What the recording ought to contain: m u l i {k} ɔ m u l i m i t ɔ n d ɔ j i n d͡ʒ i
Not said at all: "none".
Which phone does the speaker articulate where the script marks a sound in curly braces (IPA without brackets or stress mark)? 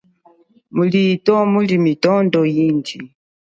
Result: t